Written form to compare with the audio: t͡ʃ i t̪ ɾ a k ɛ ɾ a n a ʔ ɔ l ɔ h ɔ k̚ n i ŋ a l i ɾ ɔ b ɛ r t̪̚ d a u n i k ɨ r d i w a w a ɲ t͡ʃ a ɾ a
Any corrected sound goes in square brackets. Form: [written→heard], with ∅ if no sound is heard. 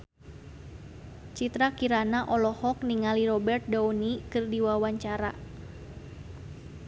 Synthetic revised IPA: t͡ʃ i t̪ ɾ a k [ɛ→i] ɾ a n a ʔ ɔ l ɔ h ɔ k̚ n i ŋ a l i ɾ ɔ b ɛ r t̪̚ d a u n i k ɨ r d i w a w a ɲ t͡ʃ a ɾ a

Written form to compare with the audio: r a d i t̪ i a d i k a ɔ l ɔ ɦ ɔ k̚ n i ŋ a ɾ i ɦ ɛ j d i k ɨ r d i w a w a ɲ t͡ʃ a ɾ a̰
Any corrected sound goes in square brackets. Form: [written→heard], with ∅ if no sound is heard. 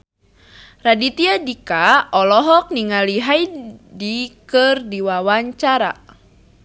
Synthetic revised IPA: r a d i t̪ i a d i k a ɔ l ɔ ɦ ɔ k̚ n i ŋ a [ɾ→l] i ɦ [ɛ→a] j d i k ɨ r d i w a w a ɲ t͡ʃ a ɾ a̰

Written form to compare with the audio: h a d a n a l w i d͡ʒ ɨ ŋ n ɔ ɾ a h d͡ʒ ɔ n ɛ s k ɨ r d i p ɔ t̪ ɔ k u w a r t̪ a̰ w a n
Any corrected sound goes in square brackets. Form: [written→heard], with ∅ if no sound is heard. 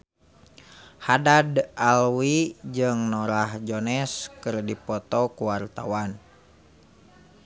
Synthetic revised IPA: h a d a [n→d] a l w i d͡ʒ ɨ ŋ n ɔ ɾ a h d͡ʒ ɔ n ɛ s k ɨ r d i p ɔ t̪ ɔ k u w a r t̪ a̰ w a n

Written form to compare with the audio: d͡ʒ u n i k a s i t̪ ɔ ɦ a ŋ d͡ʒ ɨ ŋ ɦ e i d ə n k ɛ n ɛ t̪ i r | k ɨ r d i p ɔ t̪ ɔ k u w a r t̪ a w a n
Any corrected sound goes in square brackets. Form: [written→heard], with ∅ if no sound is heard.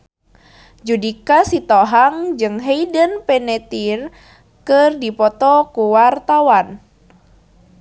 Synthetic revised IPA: d͡ʒ u [n→d] i k a s i t̪ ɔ ɦ a ŋ d͡ʒ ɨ ŋ ɦ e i d ə n [k→p] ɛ n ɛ t̪ i r | k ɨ r d i p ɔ t̪ ɔ k u w a r t̪ a w a n

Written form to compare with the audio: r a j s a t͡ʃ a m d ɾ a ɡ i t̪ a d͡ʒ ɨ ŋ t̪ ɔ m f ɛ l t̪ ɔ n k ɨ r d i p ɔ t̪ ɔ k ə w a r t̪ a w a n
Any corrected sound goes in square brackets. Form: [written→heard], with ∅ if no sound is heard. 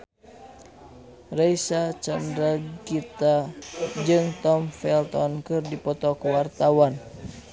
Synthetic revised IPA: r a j s a t͡ʃ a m d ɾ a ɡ i t̪ a d͡ʒ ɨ ŋ t̪ ɔ m f ɛ l t̪ ɔ n k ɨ r d i p ɔ t̪ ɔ k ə w a r t̪ a w a n

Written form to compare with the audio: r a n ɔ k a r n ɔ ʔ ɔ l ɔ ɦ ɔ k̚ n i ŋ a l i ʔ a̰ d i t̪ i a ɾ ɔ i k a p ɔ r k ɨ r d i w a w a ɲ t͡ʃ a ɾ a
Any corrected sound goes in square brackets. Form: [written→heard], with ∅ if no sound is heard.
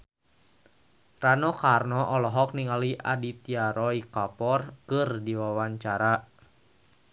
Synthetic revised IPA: r a n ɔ k a r n ɔ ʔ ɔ l ɔ ɦ ɔ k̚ n i ŋ a l i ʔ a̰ d i t̪ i a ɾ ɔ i k a p ɔ r k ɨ r d i w a w a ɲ t͡ʃ a ɾ a

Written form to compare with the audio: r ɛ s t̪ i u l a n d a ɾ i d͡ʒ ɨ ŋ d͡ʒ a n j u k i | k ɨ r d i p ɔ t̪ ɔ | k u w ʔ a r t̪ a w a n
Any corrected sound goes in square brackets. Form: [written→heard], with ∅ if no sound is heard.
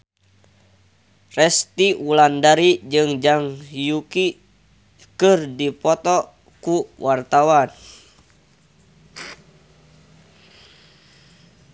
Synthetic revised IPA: r ɛ s t̪ i u l a n d a ɾ i d͡ʒ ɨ ŋ d͡ʒ a [n→ŋ] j u k i | k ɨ r d i p ɔ t̪ ɔ | k u w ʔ a r t̪ a w a n

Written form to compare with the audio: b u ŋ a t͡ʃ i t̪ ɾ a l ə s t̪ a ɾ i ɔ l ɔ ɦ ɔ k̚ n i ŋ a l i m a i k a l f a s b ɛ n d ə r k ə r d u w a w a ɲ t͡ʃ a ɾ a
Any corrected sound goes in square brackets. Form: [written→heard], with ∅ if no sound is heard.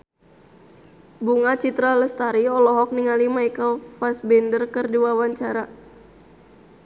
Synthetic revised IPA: b u ŋ a t͡ʃ i t̪ ɾ a l ə s t̪ a ɾ i ɔ l ɔ ɦ ɔ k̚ n i ŋ a l i m a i k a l f a s b ɛ n d ə r k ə r d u w a w a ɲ t͡ʃ a ɾ a

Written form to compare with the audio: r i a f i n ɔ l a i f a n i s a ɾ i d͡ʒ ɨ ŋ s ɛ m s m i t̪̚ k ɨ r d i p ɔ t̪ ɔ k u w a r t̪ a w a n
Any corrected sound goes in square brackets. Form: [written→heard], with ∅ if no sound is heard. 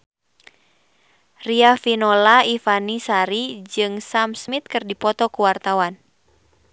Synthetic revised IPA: r i a f i n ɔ l a i f a n i s a ɾ i d͡ʒ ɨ ŋ s [ɛ→a] m s m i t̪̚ k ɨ r d i p ɔ t̪ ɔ k u w a r t̪ a w a n

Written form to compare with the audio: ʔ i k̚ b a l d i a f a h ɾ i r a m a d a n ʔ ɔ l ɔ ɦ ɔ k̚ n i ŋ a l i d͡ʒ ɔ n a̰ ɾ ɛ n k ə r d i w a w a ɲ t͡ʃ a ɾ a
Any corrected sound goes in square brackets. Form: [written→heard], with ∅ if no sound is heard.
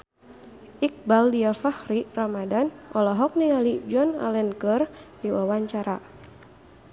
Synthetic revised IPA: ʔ i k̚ b a l d i a f a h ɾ i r a m a d a n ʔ ɔ l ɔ ɦ ɔ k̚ n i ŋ a l i d͡ʒ ɔ n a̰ [ɾ→l] ɛ n k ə r d i w a w a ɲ t͡ʃ a ɾ a

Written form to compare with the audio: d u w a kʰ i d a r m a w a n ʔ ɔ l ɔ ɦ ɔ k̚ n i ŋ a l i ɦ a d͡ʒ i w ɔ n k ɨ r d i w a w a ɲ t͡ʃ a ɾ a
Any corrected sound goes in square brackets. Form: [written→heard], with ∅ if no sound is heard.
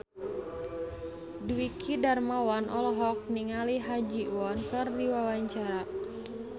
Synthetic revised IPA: d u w [a→i] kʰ i d a r m a w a n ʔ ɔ l ɔ ɦ ɔ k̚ n i ŋ a l i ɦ a d͡ʒ i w ɔ n k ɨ r d i w a w a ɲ t͡ʃ a ɾ a

